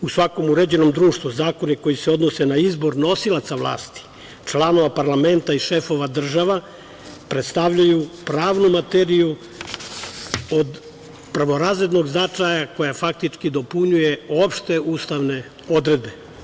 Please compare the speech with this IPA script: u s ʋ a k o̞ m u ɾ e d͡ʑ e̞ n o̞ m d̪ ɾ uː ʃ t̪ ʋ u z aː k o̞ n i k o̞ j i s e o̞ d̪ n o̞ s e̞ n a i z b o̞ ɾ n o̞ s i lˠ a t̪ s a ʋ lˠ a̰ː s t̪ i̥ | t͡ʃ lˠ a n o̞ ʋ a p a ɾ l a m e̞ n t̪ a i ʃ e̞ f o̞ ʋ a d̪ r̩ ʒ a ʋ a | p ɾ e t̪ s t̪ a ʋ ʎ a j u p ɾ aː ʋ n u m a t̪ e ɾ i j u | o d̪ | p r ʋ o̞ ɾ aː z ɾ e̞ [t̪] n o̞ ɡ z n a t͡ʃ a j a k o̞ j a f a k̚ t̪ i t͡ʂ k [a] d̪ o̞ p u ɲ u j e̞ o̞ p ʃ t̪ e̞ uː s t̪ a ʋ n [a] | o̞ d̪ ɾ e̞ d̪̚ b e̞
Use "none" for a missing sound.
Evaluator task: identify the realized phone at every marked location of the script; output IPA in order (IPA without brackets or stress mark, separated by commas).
d̪, i, e